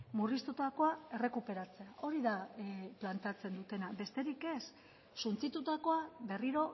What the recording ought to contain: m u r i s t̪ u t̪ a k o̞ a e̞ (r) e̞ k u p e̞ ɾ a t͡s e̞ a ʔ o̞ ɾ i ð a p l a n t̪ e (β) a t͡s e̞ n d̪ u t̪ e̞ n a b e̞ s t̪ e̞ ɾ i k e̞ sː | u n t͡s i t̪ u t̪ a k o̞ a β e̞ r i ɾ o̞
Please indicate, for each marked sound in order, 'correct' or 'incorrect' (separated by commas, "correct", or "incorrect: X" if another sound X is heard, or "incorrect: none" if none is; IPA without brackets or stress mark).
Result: correct, incorrect: none